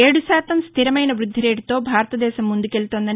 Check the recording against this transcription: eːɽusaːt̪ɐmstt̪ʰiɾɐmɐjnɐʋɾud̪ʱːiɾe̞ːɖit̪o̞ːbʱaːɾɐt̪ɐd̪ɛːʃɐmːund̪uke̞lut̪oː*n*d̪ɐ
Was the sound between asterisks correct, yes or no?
yes